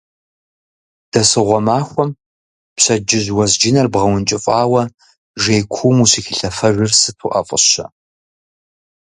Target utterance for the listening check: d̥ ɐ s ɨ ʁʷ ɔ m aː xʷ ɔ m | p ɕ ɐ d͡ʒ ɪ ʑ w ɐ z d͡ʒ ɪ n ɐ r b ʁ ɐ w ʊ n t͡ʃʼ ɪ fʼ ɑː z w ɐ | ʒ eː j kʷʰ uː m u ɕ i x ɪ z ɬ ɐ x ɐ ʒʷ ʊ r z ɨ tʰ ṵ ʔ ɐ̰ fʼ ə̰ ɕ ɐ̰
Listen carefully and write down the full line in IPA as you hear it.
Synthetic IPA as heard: d̥ ɐ s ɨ ʁʷ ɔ m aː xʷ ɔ m | p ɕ ɐ d͡ʒ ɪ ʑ w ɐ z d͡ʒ ɪ n ɐ r b ʁ ɐ w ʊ n t͡ʃʼ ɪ fʼ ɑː w ɐ | ʒ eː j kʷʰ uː m u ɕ i x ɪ ɬ ɐ f ɐ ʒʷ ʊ r s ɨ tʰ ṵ ʔ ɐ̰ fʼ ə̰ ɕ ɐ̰